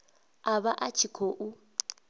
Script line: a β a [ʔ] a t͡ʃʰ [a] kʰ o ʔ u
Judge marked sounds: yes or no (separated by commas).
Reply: yes, no